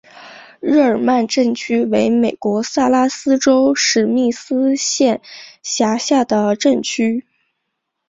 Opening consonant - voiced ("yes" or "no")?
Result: yes